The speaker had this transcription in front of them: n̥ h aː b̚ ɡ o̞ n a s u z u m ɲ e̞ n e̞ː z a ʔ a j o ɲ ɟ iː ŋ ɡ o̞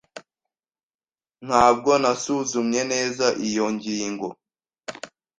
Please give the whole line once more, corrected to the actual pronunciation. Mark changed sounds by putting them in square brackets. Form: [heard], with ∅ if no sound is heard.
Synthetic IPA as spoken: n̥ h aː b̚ ɡ o̞ n a s u z u m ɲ e̞ n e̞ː z a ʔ [i] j o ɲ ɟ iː ŋ ɡ o̞